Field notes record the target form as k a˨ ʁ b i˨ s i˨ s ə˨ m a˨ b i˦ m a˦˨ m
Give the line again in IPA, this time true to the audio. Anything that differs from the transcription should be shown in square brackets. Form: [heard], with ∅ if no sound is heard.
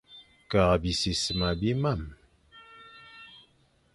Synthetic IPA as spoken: k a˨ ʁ b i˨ s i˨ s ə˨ m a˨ b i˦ m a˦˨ m